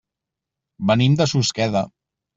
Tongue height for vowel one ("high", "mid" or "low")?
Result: mid